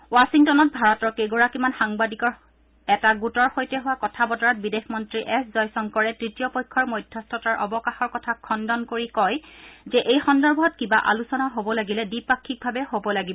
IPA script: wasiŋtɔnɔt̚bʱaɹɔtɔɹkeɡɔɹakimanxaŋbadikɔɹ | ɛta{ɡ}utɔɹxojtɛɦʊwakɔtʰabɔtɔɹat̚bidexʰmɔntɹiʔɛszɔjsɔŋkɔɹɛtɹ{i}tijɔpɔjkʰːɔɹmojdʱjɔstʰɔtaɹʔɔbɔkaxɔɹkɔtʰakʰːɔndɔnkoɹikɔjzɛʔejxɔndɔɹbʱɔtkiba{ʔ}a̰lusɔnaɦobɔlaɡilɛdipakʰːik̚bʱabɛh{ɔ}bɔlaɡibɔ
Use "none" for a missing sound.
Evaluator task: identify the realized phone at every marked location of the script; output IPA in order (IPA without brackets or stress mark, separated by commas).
ɡ, i, ʔ, o